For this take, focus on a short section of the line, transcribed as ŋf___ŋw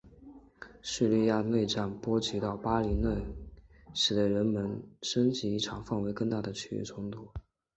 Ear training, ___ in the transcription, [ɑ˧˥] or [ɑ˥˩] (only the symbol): ɑ˥˩